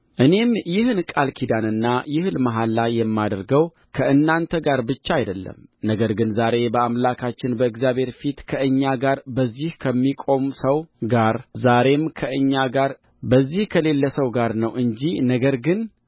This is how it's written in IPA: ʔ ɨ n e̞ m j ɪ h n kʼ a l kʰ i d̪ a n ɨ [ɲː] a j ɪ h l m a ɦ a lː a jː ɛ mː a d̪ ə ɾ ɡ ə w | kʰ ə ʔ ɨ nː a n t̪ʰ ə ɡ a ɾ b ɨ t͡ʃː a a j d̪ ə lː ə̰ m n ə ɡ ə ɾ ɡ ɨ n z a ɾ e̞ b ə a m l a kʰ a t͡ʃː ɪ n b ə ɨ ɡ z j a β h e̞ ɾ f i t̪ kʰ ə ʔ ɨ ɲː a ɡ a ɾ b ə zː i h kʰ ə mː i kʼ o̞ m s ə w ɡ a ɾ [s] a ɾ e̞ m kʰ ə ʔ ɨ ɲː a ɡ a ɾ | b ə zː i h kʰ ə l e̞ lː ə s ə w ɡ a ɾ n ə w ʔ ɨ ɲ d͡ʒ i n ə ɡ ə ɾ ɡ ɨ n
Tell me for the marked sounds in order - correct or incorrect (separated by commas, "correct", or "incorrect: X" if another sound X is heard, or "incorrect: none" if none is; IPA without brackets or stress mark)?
incorrect: nː, incorrect: z